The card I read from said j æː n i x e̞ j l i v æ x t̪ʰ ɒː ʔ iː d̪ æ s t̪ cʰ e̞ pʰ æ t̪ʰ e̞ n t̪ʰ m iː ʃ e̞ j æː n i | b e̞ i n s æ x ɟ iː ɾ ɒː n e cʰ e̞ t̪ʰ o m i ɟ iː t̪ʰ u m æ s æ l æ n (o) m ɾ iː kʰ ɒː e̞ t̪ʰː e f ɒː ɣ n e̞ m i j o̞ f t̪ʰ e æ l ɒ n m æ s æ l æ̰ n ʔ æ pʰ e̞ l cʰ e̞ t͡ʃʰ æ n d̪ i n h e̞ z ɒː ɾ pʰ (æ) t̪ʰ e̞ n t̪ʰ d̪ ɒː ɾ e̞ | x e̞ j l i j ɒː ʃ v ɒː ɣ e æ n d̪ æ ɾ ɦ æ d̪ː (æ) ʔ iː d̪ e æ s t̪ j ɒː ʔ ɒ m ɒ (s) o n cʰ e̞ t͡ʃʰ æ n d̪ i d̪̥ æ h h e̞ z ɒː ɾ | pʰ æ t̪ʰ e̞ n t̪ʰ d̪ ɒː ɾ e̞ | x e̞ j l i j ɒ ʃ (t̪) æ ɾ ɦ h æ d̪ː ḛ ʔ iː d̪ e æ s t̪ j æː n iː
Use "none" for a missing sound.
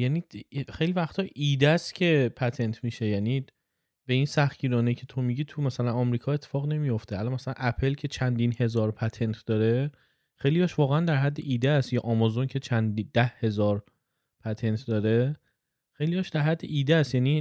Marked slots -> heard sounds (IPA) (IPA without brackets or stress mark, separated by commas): ɒ, æ, e, z, d̪